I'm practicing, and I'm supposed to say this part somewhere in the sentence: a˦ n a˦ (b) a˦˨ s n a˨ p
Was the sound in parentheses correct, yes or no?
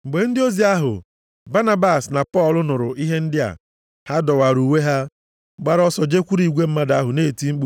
yes